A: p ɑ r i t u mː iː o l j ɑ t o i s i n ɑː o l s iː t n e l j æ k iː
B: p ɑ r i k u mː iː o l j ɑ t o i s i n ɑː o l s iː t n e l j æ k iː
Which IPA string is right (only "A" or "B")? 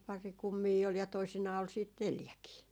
B